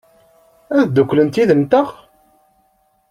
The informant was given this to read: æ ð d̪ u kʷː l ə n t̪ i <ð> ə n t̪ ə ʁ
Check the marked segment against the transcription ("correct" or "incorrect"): correct